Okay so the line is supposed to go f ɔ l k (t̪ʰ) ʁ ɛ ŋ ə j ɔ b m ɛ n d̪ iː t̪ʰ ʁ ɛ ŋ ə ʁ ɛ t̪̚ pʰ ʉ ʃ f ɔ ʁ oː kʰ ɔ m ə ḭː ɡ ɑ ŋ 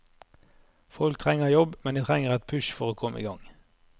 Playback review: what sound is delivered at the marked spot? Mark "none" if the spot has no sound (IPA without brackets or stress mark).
t̪ʰ